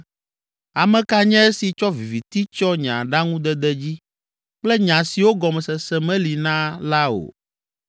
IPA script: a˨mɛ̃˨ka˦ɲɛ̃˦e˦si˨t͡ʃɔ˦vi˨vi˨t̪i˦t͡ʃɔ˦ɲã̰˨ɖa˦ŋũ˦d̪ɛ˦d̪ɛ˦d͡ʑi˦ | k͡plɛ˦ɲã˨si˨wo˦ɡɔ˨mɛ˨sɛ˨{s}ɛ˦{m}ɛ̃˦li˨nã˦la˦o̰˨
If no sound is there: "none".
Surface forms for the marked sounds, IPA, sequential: s, m

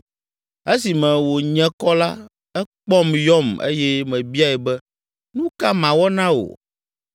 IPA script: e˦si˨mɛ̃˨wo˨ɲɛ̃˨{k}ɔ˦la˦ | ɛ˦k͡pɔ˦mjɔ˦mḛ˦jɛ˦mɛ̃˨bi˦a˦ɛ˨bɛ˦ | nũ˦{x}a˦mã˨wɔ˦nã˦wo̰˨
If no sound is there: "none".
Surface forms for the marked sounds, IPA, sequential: k, k

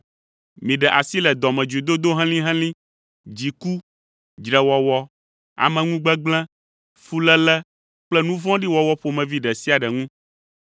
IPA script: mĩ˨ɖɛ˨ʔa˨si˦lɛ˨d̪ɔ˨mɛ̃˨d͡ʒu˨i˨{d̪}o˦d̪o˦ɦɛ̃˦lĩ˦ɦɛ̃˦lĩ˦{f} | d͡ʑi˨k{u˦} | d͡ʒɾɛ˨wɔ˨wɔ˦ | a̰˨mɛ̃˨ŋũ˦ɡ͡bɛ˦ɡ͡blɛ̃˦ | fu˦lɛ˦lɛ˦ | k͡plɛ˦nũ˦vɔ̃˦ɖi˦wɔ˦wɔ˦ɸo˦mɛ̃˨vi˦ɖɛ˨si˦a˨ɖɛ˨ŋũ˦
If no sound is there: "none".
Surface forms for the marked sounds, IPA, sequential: d̪, none, u˦

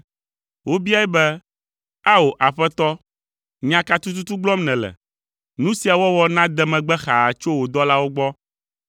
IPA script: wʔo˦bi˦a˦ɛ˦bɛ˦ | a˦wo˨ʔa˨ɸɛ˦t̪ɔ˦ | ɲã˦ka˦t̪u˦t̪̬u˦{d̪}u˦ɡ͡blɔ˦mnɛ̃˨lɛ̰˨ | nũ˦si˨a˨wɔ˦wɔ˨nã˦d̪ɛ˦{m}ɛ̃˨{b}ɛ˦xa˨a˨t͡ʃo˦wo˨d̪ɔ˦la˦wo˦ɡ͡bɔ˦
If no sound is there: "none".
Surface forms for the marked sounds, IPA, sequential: t̪, m, ɡ͡b

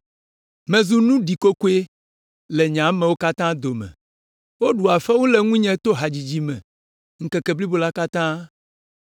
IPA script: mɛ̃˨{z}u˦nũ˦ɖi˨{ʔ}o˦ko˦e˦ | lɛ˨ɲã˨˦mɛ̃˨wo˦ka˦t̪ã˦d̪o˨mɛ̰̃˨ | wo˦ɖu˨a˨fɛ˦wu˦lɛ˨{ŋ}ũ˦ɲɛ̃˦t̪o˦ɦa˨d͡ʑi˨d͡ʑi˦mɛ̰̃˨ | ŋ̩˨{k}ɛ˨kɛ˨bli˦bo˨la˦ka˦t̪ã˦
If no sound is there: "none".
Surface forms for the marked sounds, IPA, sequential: z, k, ŋ, k

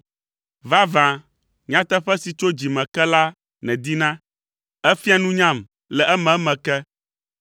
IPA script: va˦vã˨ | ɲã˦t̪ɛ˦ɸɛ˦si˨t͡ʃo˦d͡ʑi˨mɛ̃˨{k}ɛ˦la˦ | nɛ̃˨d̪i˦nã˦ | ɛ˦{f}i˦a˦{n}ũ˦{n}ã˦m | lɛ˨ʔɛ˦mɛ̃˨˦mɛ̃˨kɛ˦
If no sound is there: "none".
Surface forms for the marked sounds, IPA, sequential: k, f, n, ɲ

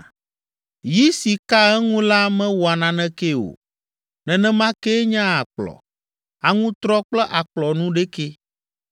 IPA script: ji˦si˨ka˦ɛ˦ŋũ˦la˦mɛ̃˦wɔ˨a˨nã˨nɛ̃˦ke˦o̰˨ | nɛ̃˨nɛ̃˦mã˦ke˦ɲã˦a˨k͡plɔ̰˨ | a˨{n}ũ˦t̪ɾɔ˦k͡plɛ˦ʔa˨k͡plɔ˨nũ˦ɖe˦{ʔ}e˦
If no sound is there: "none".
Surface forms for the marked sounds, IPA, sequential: ŋ, k

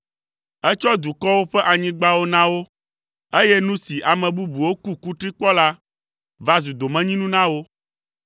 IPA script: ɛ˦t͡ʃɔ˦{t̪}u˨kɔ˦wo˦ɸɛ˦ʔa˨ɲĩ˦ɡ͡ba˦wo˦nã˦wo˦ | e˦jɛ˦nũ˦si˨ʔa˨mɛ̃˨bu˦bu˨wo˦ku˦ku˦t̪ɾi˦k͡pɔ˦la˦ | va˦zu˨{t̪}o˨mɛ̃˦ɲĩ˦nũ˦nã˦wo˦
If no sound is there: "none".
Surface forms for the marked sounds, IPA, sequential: d̪, d̪

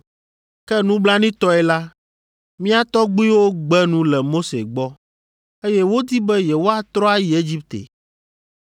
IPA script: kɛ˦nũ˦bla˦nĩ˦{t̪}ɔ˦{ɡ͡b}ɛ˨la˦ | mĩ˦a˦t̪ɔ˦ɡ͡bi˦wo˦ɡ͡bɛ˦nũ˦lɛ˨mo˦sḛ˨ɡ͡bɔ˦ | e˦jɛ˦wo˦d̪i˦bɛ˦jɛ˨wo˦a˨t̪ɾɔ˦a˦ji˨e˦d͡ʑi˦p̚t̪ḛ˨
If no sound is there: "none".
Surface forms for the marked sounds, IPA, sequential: t̪, none

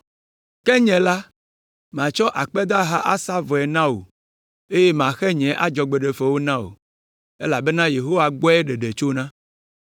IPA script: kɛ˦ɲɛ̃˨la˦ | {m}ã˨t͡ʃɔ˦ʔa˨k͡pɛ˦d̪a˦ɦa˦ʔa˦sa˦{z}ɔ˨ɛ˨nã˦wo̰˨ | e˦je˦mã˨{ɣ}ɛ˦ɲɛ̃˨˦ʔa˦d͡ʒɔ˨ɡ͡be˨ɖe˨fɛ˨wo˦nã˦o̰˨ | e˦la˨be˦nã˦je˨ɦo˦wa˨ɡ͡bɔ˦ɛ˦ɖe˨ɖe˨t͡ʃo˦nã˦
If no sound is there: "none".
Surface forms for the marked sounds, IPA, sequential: m, v, x

